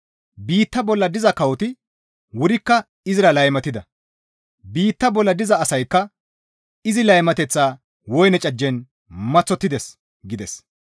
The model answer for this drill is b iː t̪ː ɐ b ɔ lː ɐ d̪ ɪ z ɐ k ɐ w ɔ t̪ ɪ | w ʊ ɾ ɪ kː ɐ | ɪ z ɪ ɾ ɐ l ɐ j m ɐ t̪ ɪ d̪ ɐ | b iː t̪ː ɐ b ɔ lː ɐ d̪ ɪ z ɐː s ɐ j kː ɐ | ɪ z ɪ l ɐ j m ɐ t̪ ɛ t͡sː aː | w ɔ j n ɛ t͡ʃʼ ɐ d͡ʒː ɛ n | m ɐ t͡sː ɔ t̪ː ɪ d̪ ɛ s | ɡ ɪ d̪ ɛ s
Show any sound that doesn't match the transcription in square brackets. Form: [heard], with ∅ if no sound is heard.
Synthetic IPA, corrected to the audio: b iː t̪ː ɐ b ɔ lː ɐ d̪ ɪ z ɐ k ɐ w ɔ t̪ ɪ | w ʊ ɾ ɪ kː ɐ | ɪ z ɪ ɾ ɐ l ɐ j m ɐ t̪ ɪ d̪ ɐ | b iː t̪ː ɐ b ɔ lː ɐ d̪ ɪ z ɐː s ɐ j kː ɐ | ɪ z ɪ l ɐ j m ɐ t̪ ɛ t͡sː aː | w ɔ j n ɛ t͡ʃʼ ɐ d͡ʒː ɛ n | m ɐ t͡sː ɔ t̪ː ɪ d̪ ɛ s | ɡ ɪ d̪ ɛ s